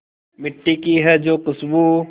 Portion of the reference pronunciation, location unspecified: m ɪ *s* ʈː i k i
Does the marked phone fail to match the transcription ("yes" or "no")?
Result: yes